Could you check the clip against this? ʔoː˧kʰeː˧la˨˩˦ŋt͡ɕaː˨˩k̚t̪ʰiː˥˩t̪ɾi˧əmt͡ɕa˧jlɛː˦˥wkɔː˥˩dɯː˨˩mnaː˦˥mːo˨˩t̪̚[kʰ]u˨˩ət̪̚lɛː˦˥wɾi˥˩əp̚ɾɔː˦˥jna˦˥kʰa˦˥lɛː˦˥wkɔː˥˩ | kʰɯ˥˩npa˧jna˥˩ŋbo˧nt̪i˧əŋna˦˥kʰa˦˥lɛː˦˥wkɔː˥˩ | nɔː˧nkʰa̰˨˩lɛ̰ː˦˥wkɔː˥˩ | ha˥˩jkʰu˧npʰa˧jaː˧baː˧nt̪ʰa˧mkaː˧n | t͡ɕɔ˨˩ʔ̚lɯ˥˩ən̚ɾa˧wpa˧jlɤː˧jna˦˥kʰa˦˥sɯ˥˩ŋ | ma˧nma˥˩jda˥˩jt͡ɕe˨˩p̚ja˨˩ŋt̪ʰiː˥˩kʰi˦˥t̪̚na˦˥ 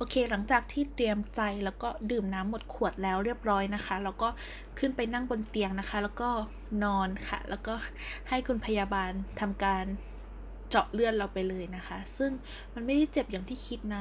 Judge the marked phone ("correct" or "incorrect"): correct